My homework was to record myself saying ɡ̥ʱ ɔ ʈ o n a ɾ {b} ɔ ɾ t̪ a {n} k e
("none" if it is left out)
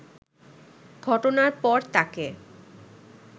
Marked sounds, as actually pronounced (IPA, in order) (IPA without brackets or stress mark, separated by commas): p, none